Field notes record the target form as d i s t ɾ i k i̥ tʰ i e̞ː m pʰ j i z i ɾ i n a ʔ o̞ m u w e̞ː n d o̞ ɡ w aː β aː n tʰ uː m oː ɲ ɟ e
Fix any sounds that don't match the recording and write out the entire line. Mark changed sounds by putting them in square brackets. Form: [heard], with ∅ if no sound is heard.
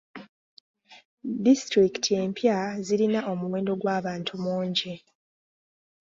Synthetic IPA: d i s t ɾ i k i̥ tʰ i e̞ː m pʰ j [a] z i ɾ i n a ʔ o̞ m u w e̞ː n d o̞ ɡ w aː β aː n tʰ [u] m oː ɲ ɟ e